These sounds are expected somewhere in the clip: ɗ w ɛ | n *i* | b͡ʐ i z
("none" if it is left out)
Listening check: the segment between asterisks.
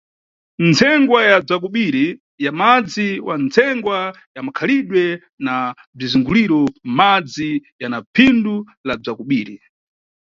a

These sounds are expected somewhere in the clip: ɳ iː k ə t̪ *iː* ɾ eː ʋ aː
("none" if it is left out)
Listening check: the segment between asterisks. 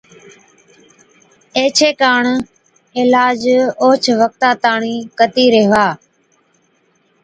iː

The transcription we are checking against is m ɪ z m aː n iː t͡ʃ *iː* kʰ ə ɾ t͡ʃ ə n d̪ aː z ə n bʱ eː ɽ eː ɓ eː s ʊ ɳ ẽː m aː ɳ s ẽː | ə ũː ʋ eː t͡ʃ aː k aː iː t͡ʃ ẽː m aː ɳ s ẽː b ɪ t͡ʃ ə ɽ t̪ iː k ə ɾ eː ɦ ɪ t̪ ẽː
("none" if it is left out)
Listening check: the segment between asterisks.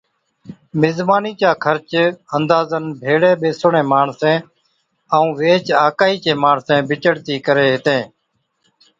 aː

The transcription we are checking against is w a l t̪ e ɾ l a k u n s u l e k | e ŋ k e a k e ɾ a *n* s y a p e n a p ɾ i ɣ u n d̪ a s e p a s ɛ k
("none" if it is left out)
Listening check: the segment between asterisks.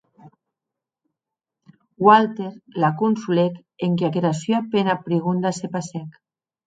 none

